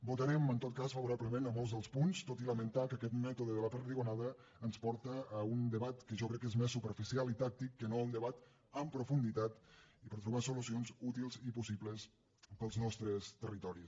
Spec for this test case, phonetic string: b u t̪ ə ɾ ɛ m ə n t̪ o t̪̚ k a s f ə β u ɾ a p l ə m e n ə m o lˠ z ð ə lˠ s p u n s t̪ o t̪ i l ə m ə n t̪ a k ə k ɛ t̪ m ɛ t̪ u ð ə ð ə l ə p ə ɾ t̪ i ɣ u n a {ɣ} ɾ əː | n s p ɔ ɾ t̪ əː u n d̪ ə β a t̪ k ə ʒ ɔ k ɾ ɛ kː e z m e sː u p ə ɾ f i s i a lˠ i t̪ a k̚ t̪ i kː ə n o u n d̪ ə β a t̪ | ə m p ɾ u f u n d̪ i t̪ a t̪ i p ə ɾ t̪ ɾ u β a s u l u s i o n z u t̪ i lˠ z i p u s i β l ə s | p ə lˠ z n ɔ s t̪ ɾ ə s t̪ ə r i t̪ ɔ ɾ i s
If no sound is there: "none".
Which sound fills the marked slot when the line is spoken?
ð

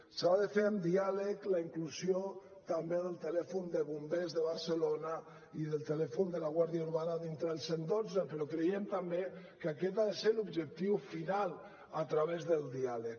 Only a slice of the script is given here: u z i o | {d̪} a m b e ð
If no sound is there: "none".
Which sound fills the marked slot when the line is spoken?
t̪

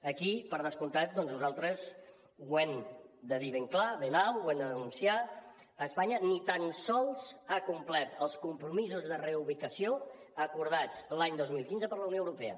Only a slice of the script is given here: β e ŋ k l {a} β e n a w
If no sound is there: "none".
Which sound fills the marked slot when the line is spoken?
a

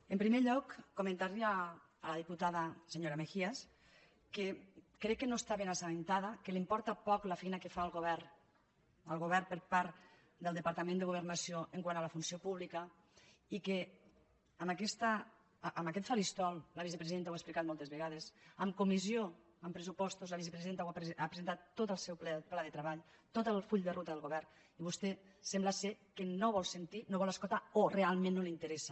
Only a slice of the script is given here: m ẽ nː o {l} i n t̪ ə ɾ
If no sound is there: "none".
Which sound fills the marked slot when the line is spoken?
l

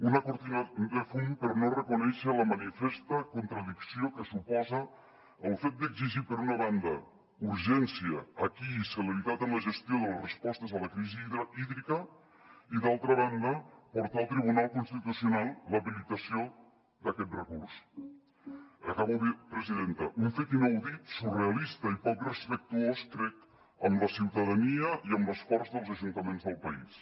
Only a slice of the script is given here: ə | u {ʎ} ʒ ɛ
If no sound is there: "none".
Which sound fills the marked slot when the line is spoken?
ɾ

